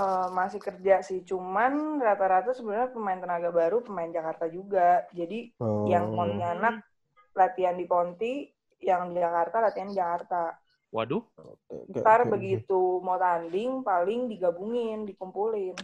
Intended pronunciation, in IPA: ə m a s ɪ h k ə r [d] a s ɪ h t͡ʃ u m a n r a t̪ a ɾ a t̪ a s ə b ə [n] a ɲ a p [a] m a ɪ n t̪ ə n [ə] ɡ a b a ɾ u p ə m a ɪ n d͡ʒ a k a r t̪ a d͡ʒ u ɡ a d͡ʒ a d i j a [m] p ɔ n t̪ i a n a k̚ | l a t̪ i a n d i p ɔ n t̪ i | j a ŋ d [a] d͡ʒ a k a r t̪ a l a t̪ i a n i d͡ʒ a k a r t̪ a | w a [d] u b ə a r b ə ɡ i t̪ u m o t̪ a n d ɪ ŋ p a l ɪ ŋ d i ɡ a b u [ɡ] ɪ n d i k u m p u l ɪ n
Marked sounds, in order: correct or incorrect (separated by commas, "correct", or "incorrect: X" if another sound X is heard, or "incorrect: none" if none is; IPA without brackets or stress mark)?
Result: incorrect: d͡ʒ, correct, incorrect: ə, incorrect: a, incorrect: ŋ, incorrect: i, correct, incorrect: ŋ